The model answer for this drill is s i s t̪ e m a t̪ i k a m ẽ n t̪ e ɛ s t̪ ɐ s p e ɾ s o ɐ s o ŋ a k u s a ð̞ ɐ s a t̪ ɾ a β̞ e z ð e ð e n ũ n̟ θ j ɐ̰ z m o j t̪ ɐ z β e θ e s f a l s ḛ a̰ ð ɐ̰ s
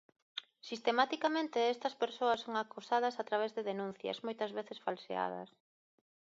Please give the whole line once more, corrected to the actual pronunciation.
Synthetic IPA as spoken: s i s t̪ e m a t̪ i k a m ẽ n t̪ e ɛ s t̪ ɐ s p e ɾ s o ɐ s o ŋ a k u s a ð̞ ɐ s a t̪ ɾ a β̞ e z ð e ð e n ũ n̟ θ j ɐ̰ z m o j t̪ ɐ z β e θ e s f a l s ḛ a̰ ð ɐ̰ s